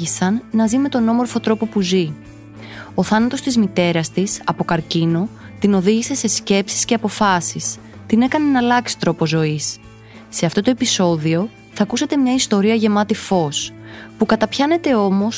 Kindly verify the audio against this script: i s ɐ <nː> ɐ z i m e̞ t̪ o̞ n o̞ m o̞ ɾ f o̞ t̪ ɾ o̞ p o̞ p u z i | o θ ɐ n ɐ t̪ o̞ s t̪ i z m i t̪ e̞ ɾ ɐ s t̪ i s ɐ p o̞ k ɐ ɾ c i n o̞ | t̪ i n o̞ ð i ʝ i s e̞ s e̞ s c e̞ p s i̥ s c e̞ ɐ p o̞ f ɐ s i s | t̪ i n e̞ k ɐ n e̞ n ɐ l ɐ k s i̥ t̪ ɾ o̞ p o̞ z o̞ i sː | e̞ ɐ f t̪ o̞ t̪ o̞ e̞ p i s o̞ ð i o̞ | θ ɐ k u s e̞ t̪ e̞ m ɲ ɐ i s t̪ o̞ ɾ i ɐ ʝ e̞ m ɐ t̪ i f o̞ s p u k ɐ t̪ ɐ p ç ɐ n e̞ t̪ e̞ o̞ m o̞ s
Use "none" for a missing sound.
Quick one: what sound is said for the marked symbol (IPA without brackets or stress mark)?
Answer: nː